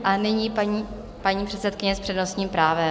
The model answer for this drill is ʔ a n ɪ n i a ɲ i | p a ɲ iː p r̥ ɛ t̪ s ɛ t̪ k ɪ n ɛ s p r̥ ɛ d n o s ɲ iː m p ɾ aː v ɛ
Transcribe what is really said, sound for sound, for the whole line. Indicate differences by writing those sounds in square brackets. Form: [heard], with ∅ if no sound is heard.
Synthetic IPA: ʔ a n ɪ [ɲ] i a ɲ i | p a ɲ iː p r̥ ɛ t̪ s ɛ t̪ k ɪ [ɲ] ɛ s p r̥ ɛ d n o s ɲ iː m p ɾ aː v ɛ